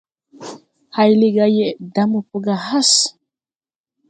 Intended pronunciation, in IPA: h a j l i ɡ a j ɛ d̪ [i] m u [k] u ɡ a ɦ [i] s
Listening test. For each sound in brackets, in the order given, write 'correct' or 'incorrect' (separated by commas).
incorrect, incorrect, incorrect